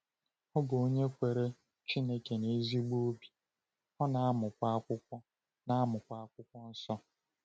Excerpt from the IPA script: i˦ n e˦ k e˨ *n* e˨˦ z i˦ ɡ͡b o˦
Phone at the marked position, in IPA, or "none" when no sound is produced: n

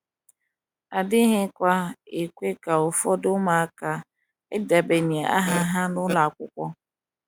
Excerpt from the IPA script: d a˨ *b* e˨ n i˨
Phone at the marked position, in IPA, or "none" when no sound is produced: b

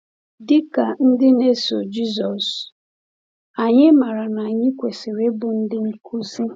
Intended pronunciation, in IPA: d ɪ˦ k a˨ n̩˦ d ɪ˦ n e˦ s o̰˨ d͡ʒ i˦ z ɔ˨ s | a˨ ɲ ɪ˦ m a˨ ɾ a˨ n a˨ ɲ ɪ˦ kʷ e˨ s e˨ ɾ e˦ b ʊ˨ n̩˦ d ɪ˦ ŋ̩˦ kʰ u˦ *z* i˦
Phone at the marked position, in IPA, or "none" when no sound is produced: s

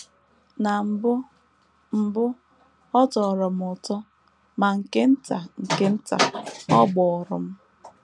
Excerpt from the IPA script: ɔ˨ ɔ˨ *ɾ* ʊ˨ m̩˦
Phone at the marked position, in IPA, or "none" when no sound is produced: ɾ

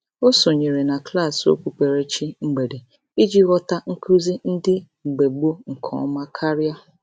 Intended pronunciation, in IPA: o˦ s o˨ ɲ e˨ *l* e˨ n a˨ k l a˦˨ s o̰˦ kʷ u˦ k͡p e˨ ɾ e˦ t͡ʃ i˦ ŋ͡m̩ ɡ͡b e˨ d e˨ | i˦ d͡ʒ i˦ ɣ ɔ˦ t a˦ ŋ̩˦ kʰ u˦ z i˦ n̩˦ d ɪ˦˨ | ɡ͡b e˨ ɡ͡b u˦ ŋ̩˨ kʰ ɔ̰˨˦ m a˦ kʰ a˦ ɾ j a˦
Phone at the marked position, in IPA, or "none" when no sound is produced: ɾ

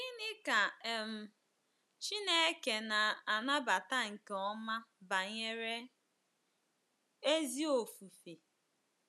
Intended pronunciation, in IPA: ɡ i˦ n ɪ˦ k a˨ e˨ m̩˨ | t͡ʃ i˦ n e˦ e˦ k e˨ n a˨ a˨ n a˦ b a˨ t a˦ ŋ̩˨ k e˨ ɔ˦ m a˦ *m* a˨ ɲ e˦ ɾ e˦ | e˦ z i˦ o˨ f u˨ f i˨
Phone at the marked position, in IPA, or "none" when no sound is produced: b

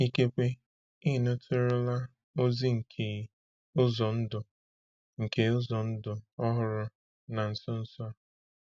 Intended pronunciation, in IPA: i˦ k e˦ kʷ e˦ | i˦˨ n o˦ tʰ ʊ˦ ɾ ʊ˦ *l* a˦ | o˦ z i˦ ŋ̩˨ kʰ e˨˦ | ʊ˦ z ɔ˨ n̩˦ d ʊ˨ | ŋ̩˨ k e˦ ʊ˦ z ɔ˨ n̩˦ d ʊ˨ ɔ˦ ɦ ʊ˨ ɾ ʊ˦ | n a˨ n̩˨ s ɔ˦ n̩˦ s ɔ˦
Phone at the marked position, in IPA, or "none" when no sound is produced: l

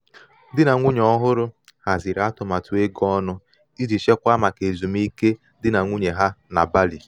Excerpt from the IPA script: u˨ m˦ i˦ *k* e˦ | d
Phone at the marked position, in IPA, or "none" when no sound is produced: k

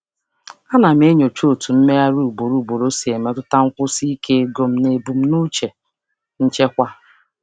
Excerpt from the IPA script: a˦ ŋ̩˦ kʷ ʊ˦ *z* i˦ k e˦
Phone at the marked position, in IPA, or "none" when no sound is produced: s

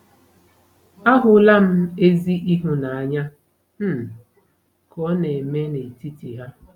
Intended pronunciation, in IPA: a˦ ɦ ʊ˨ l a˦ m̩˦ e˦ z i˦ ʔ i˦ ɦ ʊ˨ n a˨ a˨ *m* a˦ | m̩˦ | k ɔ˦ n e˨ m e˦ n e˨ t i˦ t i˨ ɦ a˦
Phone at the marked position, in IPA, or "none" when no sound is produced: ɲ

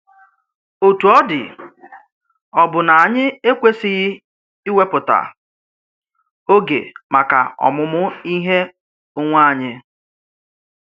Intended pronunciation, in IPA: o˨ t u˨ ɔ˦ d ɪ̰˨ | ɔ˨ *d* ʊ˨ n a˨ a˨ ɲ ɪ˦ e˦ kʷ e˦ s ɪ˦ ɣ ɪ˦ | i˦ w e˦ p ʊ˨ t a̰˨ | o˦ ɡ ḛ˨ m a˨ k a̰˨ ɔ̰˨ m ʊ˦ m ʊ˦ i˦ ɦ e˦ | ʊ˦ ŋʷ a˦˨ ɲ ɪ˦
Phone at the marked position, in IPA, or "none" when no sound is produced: b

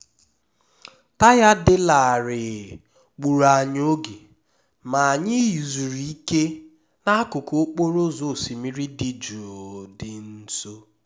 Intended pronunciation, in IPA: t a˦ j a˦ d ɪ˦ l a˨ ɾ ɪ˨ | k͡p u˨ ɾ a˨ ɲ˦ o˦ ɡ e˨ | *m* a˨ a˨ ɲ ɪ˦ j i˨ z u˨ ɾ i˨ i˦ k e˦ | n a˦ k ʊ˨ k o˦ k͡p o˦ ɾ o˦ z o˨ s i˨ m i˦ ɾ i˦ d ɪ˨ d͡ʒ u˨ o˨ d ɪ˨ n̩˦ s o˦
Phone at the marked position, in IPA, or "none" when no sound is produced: m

